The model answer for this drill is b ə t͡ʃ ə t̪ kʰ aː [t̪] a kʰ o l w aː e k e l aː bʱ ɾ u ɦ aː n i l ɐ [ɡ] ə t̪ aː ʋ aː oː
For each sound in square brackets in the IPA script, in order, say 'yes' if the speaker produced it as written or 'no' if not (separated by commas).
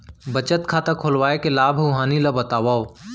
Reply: yes, no